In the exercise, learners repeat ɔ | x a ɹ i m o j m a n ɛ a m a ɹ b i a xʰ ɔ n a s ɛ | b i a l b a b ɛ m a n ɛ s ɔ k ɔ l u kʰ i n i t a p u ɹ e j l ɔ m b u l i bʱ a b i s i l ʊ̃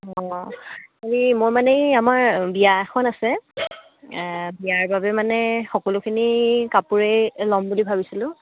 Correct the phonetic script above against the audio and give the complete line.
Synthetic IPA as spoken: ɔ | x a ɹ i m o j m a n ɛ a m a ɹ b i a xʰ ɔ n a s ɛ | b i a ɹ b a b ɛ m a n ɛ x ɔ k ɔ l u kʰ i n i k a p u ɹ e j l ɔ m b u l i bʱ a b i s i l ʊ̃